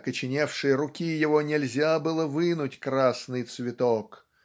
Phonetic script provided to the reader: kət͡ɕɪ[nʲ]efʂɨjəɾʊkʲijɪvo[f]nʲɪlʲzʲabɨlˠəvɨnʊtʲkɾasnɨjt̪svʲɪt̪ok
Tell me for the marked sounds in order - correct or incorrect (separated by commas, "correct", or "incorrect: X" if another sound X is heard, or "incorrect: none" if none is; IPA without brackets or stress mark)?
correct, incorrect: none